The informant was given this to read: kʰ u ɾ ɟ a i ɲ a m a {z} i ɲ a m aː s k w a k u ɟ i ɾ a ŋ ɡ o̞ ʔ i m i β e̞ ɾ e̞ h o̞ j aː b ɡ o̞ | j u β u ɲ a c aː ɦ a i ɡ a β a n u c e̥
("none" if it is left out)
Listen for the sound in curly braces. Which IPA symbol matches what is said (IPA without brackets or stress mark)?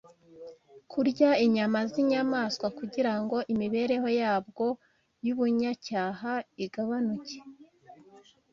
z